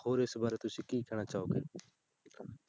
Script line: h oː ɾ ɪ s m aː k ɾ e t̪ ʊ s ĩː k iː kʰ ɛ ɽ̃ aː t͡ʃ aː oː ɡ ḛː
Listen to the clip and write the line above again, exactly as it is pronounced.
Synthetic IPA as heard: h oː ɾ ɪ s b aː ɾ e t̪ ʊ s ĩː k iː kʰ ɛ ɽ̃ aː t͡ʃ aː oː ɡ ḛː